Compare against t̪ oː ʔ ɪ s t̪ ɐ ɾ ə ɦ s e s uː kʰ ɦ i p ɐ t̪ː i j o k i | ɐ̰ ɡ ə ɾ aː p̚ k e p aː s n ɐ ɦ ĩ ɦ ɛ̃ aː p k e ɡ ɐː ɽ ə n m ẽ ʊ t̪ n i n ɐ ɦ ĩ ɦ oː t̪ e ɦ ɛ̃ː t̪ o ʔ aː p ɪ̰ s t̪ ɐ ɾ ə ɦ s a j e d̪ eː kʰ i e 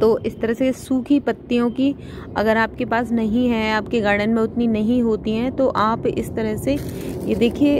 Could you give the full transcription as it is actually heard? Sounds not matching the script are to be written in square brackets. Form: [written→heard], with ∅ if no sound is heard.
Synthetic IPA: t̪ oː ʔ ɪ s t̪ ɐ ɾ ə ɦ s e s uː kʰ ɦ i p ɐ t̪ː i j [o→õ] k i | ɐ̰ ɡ ə ɾ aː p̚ k e p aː s n ɐ ɦ ĩ ɦ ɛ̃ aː p k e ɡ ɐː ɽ ə n m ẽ ʊ t̪ n i n ɐ ɦ ĩ ɦ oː t̪ [e→i] ɦ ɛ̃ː t̪ o ʔ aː p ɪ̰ s t̪ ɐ ɾ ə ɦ s [a→e] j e d̪ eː kʰ i e